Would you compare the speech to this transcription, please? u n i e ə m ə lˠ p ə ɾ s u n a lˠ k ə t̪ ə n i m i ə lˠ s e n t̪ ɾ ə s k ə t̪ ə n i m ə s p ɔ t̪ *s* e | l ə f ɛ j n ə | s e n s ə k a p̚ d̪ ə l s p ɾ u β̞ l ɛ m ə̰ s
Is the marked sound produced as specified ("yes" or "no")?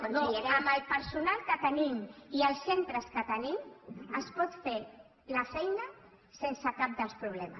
no